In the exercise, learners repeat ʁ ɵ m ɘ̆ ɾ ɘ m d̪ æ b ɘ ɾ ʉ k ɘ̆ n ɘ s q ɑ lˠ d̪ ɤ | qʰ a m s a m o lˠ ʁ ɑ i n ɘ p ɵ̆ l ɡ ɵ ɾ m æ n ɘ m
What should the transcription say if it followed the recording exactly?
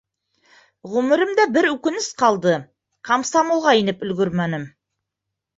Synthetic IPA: ʁ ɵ m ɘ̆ ɾ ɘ m d̪ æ b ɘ ɾ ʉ k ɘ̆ n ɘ s q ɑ lˠ d̪ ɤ | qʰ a m s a m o lˠ ʁ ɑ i n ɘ p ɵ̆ l ɡ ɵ ɾ m æ n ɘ m

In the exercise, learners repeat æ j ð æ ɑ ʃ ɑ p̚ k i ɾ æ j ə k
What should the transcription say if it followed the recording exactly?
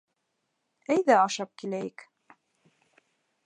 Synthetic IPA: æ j ð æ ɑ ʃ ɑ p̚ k i l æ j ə k

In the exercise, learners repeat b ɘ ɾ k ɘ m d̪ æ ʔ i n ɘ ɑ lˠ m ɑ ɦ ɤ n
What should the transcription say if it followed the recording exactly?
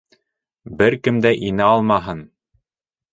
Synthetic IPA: b ɘ ɾ k ɘ m d̪ æ ʔ i n ɘ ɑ lˠ m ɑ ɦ ɤ n

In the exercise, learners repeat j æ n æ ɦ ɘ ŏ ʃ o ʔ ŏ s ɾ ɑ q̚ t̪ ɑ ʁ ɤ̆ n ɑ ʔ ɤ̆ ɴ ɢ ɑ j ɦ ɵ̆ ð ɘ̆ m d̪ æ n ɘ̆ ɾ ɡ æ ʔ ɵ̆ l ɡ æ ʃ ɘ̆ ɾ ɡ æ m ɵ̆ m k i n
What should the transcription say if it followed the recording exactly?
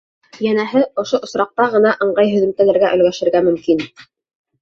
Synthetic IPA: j æ n æ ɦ ɘ ŏ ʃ o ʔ ŏ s ɾ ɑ q̚ t̪ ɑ ʁ ɤ̆ n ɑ ʔ ɤ̆ ɴ ɢ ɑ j ɦ ɵ̆ ð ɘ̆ m t̪ æ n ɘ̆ ɾ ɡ æ ʔ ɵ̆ l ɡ æ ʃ ɘ̆ ɾ ɡ æ m ɵ̆ m k i n

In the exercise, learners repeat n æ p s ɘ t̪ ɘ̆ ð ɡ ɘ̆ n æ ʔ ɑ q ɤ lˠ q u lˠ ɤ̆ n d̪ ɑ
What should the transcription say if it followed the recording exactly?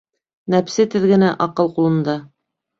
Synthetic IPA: n æ p s ɘ t̪ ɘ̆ ð ɡ ɘ̆ n æ ʔ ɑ q ɤ lˠ q u lˠ ɤ̆ n d̪ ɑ

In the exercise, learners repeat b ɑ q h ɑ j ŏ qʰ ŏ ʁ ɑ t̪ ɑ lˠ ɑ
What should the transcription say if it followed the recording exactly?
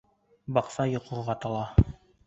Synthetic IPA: b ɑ q s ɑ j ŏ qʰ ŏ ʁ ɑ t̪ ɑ lˠ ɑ

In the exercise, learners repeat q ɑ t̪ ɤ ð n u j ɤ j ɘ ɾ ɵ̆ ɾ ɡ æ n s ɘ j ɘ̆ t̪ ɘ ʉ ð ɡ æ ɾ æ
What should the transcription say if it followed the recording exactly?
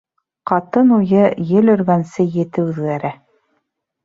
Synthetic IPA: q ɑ t̪ ɤ n u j ɤ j ɘ l ɵ̆ ɾ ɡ æ n s ɘ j ɘ̆ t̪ ɘ ʉ ð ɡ æ ɾ æ

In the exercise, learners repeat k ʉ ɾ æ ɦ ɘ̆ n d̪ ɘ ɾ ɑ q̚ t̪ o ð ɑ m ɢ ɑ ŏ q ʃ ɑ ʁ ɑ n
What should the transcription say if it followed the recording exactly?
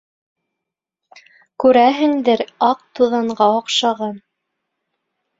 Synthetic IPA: k ʉ ɾ æ ɦ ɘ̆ ŋ d̪ ɘ ɾ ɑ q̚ t̪ u ð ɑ ɴ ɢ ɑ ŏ q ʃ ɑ ʁ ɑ n

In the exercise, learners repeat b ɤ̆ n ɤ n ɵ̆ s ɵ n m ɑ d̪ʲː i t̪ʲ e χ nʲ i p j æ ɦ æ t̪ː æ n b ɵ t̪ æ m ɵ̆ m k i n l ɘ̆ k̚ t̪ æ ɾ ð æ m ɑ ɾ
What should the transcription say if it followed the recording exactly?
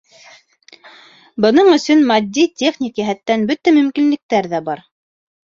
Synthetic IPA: b ɤ̆ n ɤ ɴ ɵ̆ s ɵ n m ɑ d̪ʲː i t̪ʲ e χ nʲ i k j æ ɦ æ t̪ː æ n b ɵ t̪ æ m ɵ̆ m k i n l ɘ̆ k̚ t̪ æ ɾ ð æ b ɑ ɾ

